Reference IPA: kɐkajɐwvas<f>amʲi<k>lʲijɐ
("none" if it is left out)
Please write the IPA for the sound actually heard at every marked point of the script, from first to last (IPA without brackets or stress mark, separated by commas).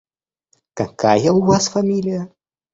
f, none